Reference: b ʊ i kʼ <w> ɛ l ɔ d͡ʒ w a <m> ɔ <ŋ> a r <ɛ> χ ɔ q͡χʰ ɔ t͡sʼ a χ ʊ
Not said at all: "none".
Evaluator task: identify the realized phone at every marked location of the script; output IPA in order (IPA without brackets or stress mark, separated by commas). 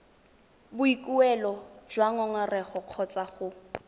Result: u, ŋ, ŋ, ɛ